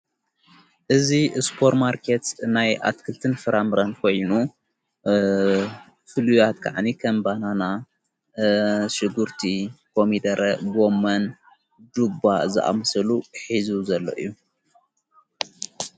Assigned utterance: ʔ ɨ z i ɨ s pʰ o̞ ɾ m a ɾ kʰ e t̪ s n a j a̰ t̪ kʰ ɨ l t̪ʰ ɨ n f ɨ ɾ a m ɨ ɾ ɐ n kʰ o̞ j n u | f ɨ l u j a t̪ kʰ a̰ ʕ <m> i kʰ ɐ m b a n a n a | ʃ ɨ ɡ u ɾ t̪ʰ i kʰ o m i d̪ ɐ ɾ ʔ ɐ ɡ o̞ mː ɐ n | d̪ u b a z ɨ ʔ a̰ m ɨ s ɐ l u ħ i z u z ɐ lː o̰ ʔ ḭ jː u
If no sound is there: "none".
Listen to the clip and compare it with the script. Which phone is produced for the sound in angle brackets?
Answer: n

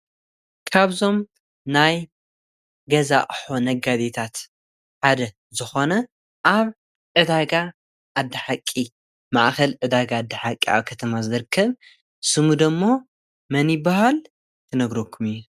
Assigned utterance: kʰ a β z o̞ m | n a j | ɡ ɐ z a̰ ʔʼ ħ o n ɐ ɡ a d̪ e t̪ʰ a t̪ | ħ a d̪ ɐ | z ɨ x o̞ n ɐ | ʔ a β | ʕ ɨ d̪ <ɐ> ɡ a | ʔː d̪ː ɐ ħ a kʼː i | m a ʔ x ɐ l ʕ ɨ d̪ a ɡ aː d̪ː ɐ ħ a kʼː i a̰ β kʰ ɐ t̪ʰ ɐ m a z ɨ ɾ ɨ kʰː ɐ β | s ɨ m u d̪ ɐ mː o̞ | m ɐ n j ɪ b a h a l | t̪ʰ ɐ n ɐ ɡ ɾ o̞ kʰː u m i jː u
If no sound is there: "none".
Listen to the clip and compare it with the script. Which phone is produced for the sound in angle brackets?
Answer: a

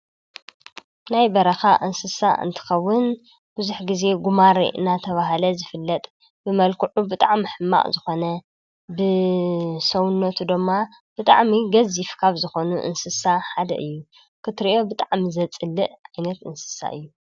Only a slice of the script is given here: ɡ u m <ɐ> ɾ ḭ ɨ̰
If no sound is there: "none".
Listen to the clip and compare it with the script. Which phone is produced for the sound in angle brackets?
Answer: a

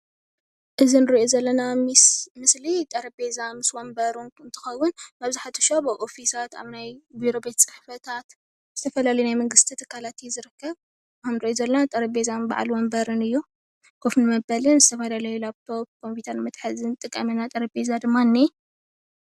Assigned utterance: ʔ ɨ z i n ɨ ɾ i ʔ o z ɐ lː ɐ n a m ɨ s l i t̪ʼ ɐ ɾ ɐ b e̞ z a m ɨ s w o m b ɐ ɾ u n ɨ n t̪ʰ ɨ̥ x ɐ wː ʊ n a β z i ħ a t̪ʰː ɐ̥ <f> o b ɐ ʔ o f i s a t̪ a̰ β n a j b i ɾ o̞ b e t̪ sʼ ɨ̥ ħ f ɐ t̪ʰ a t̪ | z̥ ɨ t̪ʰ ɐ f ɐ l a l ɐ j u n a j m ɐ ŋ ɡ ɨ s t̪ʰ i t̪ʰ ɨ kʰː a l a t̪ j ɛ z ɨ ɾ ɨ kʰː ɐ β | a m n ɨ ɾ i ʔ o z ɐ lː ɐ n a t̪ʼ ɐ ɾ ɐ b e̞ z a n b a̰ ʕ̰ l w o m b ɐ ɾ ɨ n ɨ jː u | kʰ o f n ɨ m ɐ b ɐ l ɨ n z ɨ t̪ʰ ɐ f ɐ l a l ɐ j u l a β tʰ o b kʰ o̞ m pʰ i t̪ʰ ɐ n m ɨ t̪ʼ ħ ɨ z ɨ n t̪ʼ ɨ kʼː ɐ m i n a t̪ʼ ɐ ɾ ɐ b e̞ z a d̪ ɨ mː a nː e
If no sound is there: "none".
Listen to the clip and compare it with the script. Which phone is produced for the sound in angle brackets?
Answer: ʃ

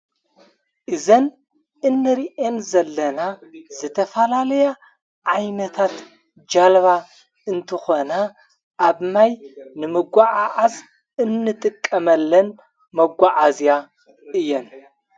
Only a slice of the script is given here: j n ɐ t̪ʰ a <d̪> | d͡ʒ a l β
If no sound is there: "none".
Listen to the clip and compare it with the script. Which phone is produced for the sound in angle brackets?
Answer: t̪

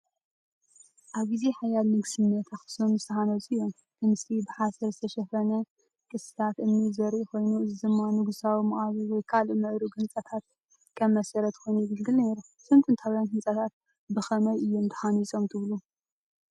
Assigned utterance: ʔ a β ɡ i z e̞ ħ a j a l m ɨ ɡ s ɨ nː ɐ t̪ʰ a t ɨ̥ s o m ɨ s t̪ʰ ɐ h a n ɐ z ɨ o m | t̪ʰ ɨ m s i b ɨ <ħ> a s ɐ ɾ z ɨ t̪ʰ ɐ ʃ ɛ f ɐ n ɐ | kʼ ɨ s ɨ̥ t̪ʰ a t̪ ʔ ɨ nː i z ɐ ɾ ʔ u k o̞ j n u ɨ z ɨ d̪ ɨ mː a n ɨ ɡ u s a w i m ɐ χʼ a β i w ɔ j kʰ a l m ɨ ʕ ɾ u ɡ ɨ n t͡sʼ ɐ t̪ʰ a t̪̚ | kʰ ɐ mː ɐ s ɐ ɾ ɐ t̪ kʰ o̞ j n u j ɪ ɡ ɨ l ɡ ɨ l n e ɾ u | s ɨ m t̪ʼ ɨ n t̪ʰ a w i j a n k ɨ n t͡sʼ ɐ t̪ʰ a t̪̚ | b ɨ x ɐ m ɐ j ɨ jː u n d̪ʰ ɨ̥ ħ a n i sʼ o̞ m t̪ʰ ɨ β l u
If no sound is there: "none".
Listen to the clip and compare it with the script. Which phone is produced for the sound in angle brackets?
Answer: ħ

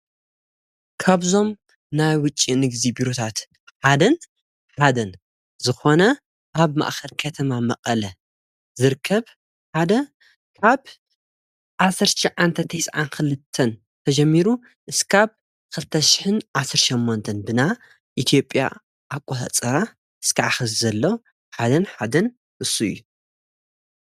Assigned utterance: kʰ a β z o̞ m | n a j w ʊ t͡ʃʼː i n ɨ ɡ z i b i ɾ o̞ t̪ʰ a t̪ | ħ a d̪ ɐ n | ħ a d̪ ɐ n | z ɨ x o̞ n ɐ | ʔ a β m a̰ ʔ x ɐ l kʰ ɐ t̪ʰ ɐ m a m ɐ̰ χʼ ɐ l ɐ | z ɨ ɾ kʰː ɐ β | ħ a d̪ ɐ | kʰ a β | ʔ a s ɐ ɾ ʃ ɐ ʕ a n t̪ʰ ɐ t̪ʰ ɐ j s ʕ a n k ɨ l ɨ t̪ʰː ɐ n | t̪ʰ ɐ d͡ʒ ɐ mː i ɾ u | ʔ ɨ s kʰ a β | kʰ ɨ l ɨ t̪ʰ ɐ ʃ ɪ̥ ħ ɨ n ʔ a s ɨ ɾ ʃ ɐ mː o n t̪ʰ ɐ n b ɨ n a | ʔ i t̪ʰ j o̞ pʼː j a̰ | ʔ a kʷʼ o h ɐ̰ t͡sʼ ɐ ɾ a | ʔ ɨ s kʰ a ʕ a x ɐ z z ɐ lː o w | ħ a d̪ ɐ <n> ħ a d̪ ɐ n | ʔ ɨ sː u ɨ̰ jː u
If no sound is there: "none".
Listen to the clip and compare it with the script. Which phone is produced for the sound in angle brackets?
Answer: n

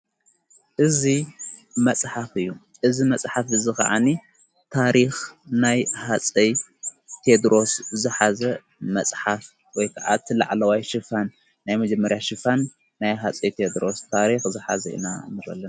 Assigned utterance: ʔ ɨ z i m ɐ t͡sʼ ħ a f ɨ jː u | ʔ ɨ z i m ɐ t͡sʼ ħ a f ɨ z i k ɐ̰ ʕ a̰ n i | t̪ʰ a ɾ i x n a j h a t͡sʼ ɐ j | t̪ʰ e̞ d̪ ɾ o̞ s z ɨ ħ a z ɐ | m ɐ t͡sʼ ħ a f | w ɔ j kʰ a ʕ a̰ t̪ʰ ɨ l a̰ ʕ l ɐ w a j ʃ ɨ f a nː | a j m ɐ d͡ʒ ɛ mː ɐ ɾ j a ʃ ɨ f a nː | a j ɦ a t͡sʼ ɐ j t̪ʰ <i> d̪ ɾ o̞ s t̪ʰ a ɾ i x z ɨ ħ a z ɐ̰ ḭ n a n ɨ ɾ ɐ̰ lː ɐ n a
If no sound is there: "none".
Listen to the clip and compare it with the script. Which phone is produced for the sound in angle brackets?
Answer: e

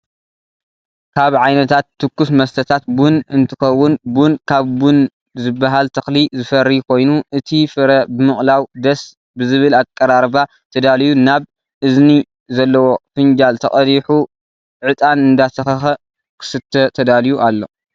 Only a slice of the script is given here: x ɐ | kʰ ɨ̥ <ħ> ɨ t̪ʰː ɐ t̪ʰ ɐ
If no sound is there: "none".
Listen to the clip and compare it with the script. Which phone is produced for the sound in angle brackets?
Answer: s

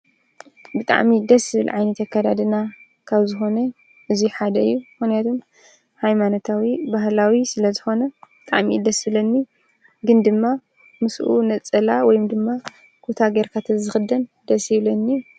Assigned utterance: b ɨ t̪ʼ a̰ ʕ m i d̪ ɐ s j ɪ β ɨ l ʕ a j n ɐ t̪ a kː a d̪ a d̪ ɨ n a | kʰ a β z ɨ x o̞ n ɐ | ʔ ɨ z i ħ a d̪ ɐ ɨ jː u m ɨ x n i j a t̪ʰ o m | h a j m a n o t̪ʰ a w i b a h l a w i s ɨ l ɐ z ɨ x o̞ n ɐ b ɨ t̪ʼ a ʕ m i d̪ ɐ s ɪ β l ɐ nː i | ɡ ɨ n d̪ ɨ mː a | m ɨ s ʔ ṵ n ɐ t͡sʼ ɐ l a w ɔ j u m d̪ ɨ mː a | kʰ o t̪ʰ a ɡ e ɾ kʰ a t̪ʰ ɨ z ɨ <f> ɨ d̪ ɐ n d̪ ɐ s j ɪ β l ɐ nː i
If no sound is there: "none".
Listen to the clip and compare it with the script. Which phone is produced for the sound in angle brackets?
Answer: x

